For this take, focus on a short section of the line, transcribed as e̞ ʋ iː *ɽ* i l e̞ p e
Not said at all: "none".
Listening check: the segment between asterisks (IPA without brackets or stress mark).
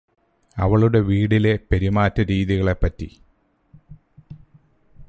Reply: ɽ